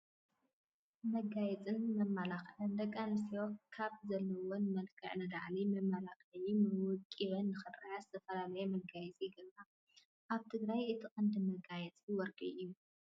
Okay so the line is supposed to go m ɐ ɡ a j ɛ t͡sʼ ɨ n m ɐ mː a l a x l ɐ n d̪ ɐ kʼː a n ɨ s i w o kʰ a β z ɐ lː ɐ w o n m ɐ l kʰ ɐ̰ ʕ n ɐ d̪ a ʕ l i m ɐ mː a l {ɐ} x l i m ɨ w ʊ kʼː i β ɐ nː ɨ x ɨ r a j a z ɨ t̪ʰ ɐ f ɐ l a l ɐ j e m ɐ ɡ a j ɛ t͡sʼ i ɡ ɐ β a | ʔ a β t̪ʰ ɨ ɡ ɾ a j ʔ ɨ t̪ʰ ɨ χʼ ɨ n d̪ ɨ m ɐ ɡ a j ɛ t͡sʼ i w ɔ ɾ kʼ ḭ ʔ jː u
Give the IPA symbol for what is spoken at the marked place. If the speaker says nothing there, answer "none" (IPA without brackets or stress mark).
a